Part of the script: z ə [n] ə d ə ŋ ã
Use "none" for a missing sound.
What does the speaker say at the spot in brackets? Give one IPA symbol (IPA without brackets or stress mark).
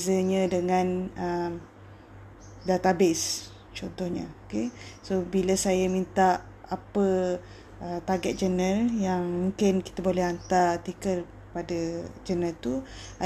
ɲ